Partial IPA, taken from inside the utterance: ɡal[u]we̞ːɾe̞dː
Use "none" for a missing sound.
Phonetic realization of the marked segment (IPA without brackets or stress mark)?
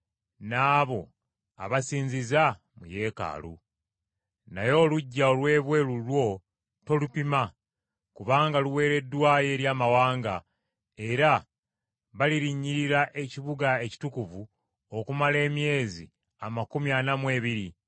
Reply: u